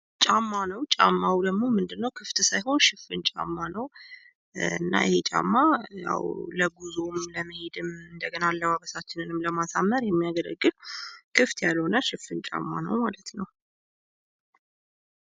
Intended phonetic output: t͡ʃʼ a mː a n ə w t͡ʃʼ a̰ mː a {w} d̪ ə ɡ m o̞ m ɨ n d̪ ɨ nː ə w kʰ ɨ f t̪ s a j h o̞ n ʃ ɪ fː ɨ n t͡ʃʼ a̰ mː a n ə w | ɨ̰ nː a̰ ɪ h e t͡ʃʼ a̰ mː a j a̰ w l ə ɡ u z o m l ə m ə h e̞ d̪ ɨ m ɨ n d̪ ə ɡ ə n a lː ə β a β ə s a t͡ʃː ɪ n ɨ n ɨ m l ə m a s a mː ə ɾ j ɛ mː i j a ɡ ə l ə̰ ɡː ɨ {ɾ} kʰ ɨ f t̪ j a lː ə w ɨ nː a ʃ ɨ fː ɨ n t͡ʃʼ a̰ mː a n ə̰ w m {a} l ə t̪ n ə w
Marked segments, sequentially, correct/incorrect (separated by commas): correct, incorrect, correct